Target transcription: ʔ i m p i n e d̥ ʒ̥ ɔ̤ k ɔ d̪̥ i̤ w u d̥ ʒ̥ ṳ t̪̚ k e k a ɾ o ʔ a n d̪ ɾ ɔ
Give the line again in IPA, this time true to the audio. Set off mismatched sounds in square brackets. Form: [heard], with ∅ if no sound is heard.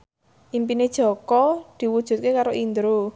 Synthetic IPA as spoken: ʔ i m p i n e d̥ ʒ̥ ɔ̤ k ɔ d̪̥ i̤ w u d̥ ʒ̥ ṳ t̪̚ k e k a ɾ o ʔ [i] n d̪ ɾ [u]